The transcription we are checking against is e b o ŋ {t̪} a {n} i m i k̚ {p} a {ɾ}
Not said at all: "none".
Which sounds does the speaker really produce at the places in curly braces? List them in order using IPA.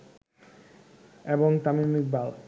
t̪, m, b, l

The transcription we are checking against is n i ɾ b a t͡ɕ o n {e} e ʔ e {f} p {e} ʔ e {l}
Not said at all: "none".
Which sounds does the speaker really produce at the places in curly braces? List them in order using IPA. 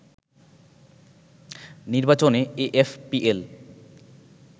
e, f, i, l

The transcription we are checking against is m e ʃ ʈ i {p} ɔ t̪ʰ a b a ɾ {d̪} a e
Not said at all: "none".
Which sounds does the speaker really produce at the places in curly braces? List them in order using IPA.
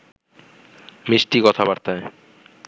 k, t̪

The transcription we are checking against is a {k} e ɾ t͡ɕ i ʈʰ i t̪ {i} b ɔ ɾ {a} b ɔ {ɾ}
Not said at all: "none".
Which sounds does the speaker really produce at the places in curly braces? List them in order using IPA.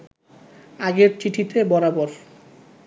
ɡ, e, a, ɾ

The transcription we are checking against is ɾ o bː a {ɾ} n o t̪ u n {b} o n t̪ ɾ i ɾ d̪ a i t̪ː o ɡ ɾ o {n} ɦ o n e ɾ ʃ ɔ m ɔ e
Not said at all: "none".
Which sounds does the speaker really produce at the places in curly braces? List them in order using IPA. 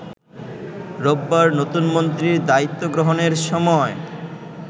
ɾ, m, none

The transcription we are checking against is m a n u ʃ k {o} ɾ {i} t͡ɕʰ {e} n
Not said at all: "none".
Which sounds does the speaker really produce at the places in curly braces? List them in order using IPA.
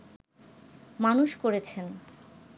o, e, e

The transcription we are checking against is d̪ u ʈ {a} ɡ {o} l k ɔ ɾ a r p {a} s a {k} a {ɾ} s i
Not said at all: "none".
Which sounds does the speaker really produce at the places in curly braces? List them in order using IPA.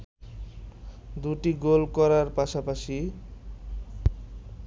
i, o, a, p, none

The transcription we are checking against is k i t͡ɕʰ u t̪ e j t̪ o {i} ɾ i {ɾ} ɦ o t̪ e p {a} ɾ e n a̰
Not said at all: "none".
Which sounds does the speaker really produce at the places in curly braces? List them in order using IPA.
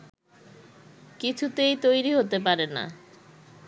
j, none, a

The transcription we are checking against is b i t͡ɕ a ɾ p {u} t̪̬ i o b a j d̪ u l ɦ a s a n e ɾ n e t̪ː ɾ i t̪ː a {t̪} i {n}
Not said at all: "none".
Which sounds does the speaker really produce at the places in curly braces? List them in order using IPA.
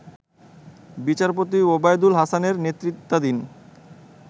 o, d̪, n

